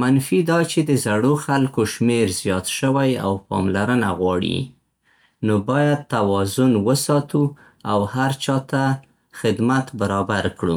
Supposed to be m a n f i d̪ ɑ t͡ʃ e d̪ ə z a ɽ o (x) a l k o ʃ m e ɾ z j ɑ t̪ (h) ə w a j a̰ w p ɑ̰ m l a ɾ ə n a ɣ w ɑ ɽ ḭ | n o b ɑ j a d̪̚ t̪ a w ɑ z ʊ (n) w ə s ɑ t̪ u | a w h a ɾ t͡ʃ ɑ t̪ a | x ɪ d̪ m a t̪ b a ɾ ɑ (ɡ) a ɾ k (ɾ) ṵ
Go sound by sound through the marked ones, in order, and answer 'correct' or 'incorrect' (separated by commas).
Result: correct, incorrect, correct, incorrect, incorrect